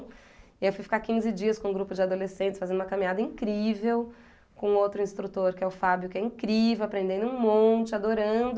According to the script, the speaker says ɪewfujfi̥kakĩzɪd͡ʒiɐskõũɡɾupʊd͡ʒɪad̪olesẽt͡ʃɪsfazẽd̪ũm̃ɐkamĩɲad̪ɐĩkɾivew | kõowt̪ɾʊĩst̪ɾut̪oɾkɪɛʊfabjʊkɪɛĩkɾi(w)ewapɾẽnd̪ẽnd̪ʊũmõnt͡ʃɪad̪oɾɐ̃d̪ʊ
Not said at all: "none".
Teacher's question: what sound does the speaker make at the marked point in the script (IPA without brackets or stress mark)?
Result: v